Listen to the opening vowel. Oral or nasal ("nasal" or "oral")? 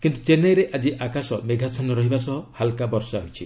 oral